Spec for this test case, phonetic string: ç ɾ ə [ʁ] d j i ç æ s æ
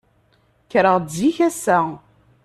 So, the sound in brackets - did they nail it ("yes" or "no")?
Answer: yes